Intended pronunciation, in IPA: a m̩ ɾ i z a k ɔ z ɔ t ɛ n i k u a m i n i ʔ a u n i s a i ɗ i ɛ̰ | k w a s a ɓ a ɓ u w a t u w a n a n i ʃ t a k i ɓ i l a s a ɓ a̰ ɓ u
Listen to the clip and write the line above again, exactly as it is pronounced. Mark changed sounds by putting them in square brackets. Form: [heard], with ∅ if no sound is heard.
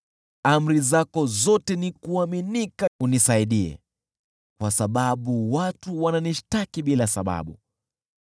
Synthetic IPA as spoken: a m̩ ɾ i z a k ɔ z ɔ t ɛ n i k u a m i n i [k] a u n i s a i ɗ i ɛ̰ | k w a s a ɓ a ɓ u w a t u w a n a n i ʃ t a k i ɓ i l a s a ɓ a̰ ɓ u